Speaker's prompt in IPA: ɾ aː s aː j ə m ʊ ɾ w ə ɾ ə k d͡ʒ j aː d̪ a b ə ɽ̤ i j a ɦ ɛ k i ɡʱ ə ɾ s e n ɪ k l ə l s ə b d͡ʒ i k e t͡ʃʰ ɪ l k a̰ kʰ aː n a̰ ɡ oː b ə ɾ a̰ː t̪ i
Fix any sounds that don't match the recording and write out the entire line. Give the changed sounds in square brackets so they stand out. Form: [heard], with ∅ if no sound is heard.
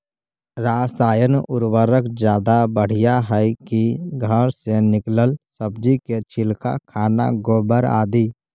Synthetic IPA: ɾ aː s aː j ə [n] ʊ ɾ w ə ɾ ə k d͡ʒ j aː d̪ a b ə ɽ̤ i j a ɦ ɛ k i ɡʱ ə ɾ s e n ɪ k l ə l s ə b d͡ʒ i k e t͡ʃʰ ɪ l k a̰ kʰ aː n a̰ ɡ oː b ə ɾ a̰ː [d̪] i